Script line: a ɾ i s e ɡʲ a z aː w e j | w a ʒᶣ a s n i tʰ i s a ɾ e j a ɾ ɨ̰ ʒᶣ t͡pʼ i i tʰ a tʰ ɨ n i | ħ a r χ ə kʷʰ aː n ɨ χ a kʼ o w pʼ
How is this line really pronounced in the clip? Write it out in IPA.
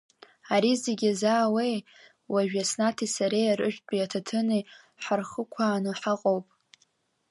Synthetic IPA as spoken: a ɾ i z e ɡʲ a z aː w e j | w a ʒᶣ a s n a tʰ i s a ɾ e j a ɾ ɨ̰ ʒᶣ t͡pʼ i a tʰ a tʰ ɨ n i | ħ a r χ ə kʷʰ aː n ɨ ħ a qʼ o w pʼ